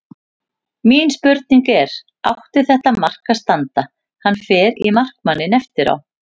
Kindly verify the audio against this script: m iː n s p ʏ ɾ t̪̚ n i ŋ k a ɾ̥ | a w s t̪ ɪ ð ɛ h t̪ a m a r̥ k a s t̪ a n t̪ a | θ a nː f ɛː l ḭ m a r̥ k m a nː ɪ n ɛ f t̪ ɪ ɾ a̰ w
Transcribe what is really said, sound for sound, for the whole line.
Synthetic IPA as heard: m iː n s p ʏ ɾ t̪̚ n i ŋ k ɛ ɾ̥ | a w h t̪ ɪ θ ɛ h t̪ a m a r̥ k a s t̪ a n t̪ a | h a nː f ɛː ɾ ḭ m a r̥ k m a nː ɪ n ɛ f t̪ ɪ ɾ a̰ w